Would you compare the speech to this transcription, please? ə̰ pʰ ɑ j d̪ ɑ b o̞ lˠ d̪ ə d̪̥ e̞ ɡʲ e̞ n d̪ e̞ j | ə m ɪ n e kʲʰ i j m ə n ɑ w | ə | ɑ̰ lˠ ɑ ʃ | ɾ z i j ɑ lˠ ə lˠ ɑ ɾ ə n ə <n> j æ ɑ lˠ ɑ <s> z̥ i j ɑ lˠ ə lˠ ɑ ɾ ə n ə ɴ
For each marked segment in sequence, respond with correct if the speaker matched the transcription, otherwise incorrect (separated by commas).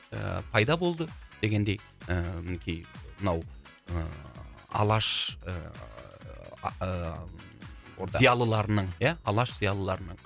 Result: incorrect, incorrect